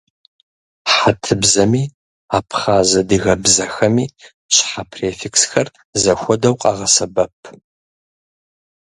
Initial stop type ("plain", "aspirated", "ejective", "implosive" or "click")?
aspirated